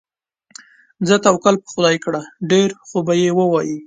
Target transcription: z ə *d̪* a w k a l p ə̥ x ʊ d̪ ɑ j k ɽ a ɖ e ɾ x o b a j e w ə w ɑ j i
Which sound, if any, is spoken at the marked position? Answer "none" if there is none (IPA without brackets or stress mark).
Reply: t̪